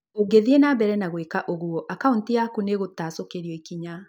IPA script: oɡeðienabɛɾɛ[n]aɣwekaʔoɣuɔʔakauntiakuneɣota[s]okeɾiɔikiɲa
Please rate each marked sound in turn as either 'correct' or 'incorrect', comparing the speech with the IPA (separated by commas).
correct, correct